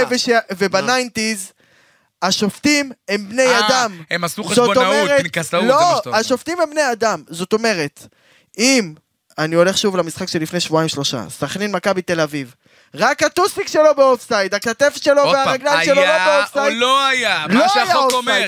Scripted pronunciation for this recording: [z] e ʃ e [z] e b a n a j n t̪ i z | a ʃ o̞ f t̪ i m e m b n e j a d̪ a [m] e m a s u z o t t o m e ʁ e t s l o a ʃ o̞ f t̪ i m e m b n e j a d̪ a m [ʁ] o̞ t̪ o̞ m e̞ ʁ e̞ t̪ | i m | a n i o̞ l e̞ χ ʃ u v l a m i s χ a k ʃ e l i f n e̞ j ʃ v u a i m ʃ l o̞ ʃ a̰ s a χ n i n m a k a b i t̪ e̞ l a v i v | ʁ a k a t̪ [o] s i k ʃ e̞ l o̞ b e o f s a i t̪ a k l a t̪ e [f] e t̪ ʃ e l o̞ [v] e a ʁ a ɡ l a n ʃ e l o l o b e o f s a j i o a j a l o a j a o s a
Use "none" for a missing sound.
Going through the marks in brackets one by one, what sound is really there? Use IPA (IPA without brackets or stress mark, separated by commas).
v, v, m, z, u, f, v